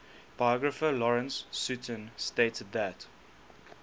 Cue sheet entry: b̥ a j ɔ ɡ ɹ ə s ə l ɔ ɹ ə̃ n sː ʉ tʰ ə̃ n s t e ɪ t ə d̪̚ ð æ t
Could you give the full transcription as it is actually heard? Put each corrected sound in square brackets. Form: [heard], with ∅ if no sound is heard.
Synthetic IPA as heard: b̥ a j ɔ ɡ ɹ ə [f] ə l ɔ ɹ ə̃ n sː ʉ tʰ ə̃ n s t e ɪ t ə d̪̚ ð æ t